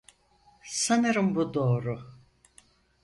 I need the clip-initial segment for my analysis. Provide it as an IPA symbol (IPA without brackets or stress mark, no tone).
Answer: s